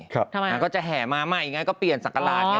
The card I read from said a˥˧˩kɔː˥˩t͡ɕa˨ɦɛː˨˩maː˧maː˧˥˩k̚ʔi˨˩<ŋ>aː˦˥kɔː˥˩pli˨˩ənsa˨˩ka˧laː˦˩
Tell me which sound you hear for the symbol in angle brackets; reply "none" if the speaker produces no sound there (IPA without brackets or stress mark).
ŋ